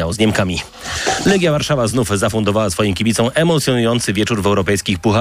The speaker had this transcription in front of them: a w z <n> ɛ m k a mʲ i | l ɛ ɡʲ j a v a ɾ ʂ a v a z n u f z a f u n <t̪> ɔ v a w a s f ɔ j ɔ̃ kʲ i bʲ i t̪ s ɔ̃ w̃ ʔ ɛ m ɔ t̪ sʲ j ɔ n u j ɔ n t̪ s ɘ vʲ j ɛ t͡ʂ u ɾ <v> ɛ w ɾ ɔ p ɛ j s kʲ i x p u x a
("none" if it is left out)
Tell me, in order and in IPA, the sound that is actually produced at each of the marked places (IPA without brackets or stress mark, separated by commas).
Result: ɲ, d̪, v